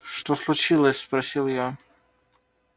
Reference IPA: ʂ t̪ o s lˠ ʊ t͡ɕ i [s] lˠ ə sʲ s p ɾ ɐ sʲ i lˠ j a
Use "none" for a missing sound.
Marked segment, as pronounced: none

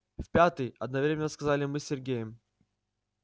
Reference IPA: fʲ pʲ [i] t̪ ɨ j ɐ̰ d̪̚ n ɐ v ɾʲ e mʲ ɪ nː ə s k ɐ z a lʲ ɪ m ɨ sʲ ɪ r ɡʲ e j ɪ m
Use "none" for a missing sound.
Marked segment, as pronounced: a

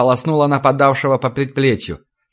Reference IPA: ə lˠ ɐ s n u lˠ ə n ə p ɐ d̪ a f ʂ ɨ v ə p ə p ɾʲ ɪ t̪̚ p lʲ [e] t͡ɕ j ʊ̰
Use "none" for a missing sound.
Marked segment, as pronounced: e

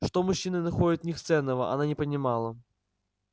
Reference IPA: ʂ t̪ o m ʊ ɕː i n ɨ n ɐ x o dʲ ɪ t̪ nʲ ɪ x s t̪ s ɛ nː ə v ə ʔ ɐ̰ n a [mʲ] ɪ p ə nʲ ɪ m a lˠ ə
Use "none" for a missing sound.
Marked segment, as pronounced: nʲ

